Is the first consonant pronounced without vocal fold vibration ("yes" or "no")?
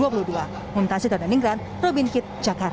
yes